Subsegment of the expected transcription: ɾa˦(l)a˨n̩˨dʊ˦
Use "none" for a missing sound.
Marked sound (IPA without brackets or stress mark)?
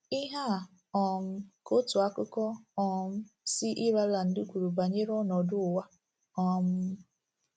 l